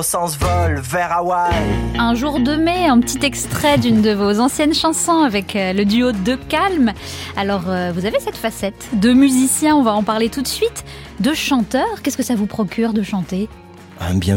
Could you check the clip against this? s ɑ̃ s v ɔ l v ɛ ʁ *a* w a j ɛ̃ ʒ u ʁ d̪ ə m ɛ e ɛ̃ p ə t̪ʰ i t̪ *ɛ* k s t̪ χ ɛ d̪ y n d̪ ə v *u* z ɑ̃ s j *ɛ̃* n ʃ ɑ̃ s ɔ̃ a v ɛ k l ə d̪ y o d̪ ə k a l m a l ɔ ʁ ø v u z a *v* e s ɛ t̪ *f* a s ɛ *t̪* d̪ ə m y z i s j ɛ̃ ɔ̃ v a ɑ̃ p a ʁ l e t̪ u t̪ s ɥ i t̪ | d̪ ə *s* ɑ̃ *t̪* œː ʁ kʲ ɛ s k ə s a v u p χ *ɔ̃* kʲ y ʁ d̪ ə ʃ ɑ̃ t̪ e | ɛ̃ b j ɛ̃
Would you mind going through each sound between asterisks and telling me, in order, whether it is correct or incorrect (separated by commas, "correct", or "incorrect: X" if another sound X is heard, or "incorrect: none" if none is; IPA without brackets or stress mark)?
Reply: correct, correct, incorrect: o, incorrect: ɛ, correct, correct, correct, incorrect: ʃ, correct, incorrect: ɔ